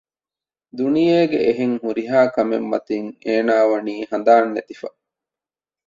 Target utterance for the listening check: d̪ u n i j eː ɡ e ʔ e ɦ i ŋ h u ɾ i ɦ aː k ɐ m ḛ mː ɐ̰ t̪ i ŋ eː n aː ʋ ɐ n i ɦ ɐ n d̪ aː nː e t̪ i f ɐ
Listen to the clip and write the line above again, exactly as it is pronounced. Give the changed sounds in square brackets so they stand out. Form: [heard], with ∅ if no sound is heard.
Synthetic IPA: d̪ u n i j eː ɡ e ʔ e ɦ [e] ŋ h u ɾ i ɦ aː k ɐ m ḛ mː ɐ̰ t̪ i ŋ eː n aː ʋ ɐ n [iː] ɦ ɐ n d̪ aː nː e t̪ i f ɐ